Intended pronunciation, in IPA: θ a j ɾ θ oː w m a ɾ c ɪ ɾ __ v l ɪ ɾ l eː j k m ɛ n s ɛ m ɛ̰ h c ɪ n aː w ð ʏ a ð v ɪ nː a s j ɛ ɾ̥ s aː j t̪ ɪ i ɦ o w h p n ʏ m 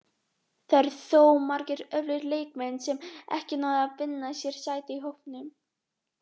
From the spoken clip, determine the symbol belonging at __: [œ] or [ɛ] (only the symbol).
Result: œ